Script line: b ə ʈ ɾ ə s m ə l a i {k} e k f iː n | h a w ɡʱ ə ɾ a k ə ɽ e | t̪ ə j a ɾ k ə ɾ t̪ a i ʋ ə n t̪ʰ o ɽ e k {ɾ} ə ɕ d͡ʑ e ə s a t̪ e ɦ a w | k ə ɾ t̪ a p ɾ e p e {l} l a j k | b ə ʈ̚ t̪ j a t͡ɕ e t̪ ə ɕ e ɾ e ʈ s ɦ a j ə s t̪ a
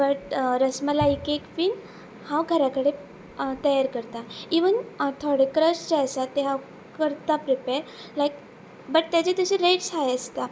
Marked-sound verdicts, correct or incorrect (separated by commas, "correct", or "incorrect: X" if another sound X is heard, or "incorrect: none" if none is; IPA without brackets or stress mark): correct, correct, incorrect: ɾ